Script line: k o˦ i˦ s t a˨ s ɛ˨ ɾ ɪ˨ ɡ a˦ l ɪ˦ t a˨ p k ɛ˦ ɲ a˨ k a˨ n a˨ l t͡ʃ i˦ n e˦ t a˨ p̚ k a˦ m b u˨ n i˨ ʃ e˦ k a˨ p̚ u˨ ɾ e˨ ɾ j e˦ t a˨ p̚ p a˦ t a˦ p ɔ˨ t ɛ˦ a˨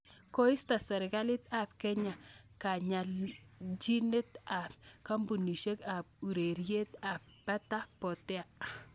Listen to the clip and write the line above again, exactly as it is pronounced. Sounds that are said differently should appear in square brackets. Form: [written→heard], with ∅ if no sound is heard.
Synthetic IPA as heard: k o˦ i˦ s t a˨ s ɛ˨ ɾ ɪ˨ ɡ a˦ l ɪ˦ t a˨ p k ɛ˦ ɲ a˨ k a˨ [n→ɲ] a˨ l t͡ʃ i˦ n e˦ t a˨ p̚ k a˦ m b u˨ n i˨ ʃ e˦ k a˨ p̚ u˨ ɾ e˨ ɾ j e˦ t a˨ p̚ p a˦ t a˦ p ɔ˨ t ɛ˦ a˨